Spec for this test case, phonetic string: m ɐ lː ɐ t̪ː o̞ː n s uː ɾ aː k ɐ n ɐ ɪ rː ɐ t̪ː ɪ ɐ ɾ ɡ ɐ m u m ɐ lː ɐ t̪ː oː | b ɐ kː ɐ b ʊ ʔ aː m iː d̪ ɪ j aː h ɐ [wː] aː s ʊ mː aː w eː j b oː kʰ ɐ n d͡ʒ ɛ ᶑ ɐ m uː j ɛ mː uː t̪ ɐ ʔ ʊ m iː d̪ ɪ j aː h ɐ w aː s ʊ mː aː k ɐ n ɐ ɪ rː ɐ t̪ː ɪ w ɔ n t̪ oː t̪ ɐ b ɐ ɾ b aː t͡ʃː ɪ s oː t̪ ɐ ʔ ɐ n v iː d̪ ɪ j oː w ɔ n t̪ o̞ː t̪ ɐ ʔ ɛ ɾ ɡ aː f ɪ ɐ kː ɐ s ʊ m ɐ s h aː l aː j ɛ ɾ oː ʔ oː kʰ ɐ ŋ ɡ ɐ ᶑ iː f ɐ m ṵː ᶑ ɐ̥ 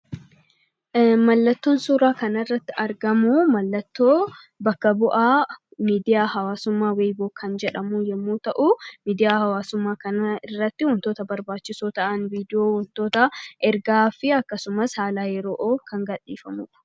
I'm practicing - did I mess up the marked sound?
yes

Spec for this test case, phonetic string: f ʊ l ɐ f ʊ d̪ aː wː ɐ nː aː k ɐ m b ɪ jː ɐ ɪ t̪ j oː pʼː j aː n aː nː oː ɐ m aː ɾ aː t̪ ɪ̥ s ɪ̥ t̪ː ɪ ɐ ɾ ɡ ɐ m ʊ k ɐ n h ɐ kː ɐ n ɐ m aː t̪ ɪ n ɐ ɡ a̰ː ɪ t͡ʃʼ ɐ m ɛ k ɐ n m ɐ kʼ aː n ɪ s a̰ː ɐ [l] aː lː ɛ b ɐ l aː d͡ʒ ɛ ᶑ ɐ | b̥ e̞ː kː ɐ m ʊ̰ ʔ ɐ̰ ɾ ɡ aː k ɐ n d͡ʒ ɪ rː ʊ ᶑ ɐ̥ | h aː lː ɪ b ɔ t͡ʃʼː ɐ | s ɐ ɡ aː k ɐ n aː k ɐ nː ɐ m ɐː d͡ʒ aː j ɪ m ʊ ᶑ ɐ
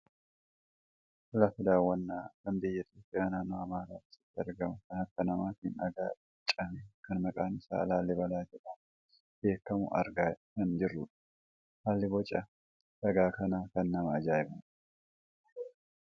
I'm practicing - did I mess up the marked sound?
no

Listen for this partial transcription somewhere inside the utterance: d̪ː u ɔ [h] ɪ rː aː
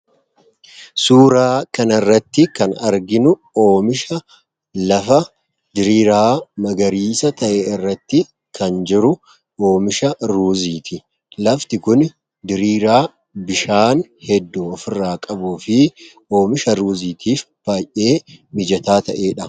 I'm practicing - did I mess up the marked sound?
yes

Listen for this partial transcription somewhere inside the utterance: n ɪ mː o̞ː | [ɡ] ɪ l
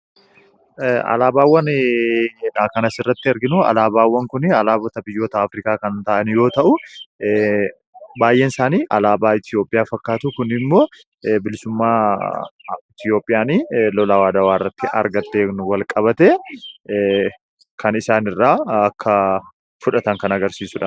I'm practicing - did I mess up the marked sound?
yes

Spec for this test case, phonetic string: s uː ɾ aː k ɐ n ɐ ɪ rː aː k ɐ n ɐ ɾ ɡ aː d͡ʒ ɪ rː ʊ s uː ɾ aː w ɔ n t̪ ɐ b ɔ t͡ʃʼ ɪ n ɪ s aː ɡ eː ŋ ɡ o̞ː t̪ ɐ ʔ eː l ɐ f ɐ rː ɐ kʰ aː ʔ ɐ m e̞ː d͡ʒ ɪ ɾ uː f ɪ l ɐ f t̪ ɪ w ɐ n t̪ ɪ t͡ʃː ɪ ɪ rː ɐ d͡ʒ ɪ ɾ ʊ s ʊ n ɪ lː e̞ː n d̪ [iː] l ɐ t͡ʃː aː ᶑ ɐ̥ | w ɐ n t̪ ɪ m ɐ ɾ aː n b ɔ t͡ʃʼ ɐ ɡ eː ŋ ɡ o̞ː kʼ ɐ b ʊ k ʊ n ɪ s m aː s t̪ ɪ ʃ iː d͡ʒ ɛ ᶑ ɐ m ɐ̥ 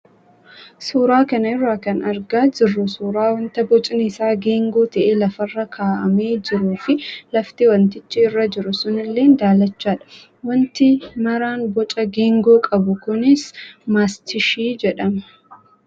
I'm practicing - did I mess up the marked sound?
yes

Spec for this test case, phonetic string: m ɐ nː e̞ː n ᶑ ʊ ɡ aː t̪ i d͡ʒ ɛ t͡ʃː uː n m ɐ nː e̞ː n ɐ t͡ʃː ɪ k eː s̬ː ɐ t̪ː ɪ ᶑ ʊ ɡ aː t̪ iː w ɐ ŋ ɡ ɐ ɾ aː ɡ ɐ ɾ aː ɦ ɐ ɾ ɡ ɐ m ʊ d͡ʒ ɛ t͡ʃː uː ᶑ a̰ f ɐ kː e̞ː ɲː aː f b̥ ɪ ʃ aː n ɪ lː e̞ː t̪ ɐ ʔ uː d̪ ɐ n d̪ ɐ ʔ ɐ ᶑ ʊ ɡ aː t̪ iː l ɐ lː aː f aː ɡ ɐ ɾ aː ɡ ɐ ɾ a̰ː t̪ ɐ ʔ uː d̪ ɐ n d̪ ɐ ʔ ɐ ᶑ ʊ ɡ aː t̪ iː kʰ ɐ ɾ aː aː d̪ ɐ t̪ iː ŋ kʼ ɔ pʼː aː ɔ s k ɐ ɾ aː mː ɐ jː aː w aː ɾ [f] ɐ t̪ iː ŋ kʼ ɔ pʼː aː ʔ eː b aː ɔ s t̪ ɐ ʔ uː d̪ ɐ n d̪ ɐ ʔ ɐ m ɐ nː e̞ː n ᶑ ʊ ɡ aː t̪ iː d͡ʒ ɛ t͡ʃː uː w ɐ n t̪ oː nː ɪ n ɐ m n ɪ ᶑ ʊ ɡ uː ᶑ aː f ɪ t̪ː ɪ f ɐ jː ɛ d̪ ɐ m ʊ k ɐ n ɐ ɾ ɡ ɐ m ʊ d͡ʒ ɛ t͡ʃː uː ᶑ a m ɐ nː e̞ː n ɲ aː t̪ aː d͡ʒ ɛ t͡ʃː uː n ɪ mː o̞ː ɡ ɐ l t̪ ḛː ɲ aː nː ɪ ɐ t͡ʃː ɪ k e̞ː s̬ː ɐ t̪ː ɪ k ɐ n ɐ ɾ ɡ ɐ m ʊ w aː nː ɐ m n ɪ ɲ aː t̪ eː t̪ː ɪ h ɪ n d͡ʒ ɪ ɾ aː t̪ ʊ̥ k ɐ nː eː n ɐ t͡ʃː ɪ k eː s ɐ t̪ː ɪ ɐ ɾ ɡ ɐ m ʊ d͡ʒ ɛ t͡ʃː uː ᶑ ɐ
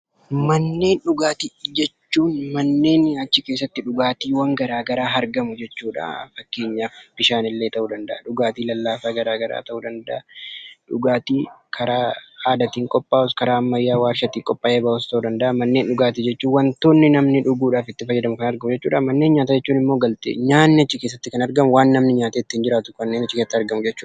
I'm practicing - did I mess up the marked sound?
yes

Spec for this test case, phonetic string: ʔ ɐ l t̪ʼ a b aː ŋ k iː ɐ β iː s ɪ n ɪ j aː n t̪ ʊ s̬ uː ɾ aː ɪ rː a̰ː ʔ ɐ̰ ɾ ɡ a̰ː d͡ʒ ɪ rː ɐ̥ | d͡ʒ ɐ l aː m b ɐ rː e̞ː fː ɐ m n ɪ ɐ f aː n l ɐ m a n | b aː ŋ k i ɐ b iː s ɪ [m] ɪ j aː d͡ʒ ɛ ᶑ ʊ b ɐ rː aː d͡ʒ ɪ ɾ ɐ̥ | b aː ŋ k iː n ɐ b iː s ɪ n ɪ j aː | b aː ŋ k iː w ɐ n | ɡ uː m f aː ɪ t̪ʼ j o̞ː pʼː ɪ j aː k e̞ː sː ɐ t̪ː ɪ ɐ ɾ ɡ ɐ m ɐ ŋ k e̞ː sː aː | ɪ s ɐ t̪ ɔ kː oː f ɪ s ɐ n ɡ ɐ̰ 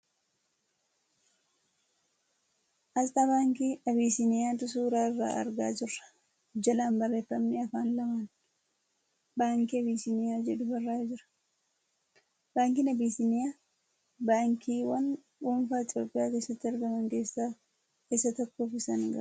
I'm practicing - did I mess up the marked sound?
yes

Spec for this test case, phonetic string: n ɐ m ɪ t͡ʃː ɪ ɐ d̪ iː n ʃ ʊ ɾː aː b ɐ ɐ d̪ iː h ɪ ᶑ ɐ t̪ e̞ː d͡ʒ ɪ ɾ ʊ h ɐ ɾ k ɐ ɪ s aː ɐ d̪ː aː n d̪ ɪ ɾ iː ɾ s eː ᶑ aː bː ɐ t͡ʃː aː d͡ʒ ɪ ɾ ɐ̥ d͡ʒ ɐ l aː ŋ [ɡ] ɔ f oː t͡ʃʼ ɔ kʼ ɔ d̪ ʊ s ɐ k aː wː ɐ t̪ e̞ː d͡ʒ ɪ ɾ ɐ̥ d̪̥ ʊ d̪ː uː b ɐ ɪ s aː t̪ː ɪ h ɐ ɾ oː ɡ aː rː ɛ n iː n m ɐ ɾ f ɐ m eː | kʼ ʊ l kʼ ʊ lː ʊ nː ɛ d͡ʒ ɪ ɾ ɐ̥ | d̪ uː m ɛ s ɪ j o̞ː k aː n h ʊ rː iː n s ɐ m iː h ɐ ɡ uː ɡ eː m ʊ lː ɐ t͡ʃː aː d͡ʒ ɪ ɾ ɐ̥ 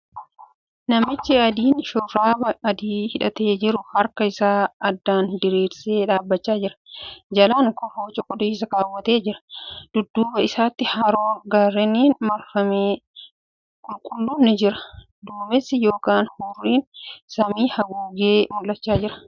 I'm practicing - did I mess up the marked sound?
yes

